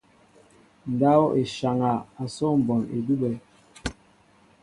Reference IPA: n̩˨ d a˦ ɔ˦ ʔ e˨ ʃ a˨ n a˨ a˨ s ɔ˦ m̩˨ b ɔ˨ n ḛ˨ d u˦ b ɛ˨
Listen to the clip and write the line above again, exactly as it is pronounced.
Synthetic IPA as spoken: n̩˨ d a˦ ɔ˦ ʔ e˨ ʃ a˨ ŋ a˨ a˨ s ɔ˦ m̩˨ b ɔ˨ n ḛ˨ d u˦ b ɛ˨